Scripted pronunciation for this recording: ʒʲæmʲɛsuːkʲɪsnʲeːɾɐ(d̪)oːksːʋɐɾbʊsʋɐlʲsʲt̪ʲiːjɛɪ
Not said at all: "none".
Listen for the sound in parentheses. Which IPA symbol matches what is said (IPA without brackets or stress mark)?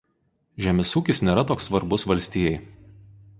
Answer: t̪